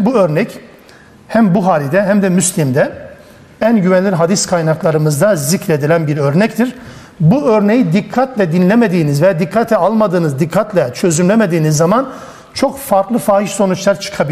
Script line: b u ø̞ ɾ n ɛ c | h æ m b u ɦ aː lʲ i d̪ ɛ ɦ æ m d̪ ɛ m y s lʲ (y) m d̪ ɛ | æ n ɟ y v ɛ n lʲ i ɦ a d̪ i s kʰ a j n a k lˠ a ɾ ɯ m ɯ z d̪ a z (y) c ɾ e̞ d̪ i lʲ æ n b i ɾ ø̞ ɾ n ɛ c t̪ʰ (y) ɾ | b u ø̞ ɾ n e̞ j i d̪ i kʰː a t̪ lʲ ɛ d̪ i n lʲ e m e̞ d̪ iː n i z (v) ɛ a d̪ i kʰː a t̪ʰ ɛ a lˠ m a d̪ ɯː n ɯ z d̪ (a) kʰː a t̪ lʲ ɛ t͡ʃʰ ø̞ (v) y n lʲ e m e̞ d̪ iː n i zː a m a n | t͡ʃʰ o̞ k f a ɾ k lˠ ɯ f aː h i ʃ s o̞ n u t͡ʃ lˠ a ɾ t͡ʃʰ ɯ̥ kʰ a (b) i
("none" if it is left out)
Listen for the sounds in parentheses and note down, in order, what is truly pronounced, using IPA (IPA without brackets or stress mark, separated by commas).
i, i, i, v, i, z, b